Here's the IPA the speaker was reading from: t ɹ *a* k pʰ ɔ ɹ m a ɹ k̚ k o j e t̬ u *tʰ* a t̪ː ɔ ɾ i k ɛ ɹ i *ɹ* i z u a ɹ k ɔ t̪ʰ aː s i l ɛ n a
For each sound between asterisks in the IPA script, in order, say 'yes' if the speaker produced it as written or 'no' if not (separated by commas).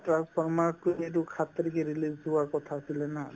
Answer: yes, no, no